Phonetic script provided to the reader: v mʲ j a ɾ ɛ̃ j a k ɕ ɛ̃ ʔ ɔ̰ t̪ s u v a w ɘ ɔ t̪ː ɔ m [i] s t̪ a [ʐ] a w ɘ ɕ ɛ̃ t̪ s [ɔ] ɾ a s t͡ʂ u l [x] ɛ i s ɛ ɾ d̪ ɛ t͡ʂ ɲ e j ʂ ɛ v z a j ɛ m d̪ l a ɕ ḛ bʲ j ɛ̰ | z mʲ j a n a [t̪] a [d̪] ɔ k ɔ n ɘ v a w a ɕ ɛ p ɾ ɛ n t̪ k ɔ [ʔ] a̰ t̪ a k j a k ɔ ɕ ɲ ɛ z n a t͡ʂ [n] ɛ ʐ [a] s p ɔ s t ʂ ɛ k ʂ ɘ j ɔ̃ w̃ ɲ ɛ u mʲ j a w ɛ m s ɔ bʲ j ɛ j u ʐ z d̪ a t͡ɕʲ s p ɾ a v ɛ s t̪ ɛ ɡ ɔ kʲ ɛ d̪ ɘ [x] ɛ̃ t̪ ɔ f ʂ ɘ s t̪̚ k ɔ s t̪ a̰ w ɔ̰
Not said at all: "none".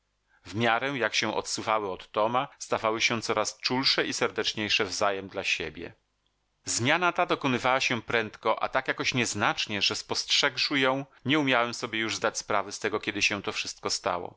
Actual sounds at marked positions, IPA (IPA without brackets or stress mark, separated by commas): a, v, ɔ, ʂ, t̪, d̪, ʔ, ɲ, ɛ, ɕ